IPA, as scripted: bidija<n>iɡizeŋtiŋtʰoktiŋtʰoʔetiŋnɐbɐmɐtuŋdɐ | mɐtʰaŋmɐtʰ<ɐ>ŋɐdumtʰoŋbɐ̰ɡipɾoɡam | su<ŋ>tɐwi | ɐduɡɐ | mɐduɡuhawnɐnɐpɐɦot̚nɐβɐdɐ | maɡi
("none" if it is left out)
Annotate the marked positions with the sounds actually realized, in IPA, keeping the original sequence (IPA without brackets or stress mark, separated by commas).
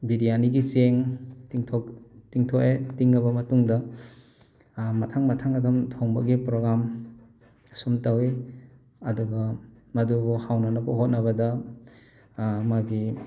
n, a, m